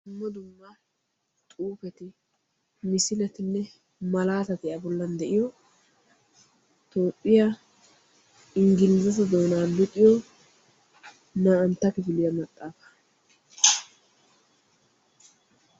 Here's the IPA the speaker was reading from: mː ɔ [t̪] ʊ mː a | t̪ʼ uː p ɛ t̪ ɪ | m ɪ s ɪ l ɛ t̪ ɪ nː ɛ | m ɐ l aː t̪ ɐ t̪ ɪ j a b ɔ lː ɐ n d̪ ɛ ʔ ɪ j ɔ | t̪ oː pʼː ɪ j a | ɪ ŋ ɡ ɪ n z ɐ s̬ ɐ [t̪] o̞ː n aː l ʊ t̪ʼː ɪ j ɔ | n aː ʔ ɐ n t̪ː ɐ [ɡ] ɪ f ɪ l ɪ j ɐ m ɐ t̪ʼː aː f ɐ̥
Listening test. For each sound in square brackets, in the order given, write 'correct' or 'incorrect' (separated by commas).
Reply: incorrect, incorrect, incorrect